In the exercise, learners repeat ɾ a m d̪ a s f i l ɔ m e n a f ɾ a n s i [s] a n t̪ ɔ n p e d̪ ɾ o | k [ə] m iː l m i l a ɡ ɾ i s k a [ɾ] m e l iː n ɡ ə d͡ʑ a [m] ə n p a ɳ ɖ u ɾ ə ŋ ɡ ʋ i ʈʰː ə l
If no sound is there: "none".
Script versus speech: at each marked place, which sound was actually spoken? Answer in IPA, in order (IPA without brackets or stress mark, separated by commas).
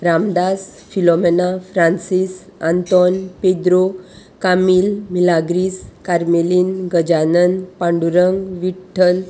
s, a, ɾ, n